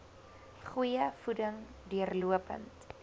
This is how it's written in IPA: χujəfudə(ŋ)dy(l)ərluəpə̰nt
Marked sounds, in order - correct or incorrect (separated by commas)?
correct, incorrect